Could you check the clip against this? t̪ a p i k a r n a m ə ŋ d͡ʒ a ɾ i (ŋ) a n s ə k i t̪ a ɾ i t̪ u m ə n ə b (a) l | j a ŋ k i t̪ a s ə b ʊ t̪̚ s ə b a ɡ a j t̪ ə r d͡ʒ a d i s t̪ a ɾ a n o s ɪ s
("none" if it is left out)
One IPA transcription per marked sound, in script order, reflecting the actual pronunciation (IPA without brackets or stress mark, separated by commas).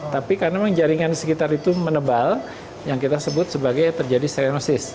ŋ, a